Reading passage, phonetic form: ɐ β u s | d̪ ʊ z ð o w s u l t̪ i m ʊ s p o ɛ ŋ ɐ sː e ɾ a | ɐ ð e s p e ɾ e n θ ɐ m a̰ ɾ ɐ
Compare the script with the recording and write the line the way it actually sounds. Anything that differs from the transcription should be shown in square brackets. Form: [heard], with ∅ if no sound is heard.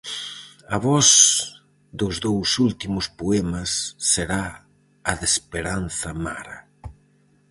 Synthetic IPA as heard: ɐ β [ɔ] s | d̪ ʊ z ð o w s u l t̪ i m ʊ s p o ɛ [m] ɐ sː e ɾ a | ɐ ð e s p e ɾ [a] n θ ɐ m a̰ ɾ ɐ